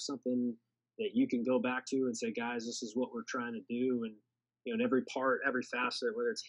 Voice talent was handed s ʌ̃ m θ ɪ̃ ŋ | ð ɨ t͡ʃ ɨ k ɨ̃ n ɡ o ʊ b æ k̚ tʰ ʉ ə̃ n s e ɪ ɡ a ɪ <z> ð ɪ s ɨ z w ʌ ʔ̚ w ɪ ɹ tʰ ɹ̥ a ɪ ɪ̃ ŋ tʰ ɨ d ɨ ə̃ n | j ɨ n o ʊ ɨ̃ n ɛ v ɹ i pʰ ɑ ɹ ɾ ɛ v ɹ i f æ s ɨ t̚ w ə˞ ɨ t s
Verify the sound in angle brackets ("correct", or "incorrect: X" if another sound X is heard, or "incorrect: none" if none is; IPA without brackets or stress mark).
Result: correct